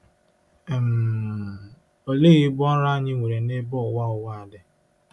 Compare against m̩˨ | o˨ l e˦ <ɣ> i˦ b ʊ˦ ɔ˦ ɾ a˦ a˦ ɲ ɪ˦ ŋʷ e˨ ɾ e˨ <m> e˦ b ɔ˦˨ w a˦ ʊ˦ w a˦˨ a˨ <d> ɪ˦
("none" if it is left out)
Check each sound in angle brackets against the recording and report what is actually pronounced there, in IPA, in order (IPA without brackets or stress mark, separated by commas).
ɣ, n, d